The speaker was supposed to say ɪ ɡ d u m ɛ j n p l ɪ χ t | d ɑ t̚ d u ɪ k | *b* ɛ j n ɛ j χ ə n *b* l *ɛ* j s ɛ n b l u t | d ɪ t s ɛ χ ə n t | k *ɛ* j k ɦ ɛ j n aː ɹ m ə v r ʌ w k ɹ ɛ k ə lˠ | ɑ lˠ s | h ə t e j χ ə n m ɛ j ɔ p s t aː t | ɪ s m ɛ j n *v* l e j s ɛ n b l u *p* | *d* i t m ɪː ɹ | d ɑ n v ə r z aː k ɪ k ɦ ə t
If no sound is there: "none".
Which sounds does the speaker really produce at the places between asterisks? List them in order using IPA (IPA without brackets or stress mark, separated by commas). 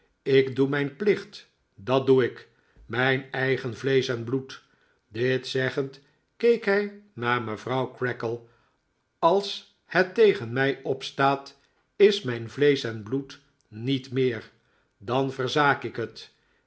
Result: m, v, e, e, v, t, n